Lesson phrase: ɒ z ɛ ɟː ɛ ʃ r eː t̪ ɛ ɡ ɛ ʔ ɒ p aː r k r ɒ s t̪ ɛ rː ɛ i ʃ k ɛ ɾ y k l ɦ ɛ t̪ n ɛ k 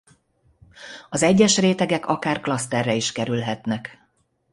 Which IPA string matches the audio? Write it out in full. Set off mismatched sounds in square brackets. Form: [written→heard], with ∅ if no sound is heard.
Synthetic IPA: ɒ z ɛ ɟː ɛ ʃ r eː t̪ ɛ ɡ ɛ [ʔ→k] ɒ [p→k] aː r k [r→l] ɒ s t̪ ɛ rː ɛ i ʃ k ɛ ɾ y [k→∅] l ɦ ɛ t̪ n ɛ k